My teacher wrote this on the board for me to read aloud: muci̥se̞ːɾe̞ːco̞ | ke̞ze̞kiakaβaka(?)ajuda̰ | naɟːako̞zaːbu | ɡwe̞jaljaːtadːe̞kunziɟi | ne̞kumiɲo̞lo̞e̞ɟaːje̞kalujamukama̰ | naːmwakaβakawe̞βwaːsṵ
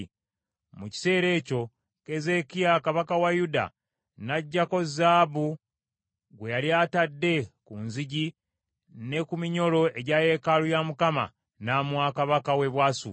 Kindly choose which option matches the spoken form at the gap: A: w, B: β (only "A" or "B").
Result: A